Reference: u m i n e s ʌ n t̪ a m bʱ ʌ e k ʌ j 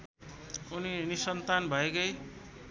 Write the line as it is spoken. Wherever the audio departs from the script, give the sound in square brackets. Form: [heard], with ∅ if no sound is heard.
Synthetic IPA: u [n] i n [i] s ʌ n t̪ a [n] bʱ ʌ e k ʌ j